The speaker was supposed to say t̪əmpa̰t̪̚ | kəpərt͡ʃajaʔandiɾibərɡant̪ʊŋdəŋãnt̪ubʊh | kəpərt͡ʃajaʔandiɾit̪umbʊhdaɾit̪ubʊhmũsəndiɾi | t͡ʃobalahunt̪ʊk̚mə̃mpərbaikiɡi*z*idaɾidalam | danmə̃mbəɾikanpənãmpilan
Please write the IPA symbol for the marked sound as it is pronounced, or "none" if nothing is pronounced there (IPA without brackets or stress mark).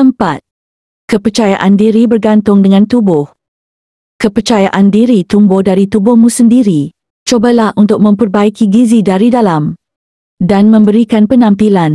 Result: z